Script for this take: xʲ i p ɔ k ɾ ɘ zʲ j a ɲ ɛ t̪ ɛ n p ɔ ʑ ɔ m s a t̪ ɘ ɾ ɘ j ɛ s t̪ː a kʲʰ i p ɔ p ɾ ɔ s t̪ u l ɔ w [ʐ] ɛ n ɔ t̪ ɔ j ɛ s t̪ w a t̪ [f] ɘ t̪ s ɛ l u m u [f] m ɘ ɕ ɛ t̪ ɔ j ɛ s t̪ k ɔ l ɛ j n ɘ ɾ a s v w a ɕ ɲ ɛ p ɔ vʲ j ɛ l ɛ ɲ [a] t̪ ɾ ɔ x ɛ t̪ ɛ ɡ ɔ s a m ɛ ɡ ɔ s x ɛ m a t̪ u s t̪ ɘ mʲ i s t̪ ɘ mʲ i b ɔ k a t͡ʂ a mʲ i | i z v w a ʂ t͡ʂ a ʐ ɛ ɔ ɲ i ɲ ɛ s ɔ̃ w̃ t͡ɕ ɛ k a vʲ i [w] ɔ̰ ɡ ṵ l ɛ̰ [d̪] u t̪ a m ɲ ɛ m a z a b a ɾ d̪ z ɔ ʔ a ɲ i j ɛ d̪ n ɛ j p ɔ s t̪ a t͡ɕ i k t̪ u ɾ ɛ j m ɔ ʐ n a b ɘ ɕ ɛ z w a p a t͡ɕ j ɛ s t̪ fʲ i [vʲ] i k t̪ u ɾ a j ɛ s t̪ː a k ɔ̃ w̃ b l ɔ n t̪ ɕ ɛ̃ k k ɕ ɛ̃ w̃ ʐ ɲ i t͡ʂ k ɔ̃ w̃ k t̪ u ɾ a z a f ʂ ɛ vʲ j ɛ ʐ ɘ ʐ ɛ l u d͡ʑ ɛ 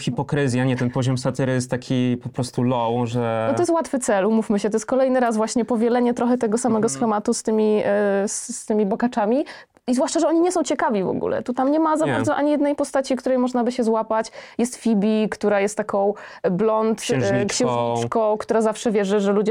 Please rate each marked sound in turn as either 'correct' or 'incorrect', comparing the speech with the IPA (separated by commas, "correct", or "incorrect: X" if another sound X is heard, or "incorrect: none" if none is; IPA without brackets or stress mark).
correct, correct, correct, incorrect: ɛ, incorrect: v, incorrect: t̪, incorrect: bʲ